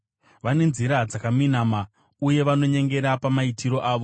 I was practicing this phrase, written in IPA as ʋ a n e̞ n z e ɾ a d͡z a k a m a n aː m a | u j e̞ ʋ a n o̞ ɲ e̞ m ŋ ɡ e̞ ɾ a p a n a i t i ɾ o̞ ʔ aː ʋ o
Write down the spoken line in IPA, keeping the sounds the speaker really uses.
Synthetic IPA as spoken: ʋ a n e̞ n z i ɾ a d͡z a k a m i n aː m a | u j e̞ ʋ a n o̞ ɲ e̞ ŋ ɡ e̞ ɾ a p a m a i t i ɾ o̞ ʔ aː ʋ o